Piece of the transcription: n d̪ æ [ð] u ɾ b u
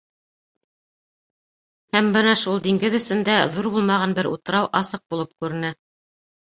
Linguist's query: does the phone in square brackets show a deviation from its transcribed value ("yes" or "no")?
no